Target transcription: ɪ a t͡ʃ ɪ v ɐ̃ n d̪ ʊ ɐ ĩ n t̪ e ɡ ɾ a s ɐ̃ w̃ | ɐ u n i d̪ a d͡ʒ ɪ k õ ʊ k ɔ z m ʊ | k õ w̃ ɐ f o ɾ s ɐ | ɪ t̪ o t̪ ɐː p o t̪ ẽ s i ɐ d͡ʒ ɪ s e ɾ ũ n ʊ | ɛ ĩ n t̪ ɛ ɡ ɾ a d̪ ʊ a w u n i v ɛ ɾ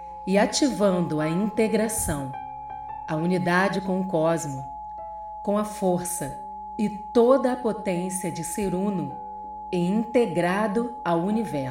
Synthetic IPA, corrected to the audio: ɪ a t͡ʃ i v ɐ̃ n d̪ ʊ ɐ ĩ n t̪ e ɡ ɾ a s ɐ̃ w̃ | ɐ u n i d̪ a d͡ʒ ɪ k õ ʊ k ɔ z m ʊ | k õ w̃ ɐ f o ɾ s ɐ | ɪ t̪ o d̪ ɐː p o t̪ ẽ s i ɐ d͡ʒ ɪ s e ɾ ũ n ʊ | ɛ ĩ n t̪ e ɡ ɾ a d̪ ʊ a w u n i v ɛ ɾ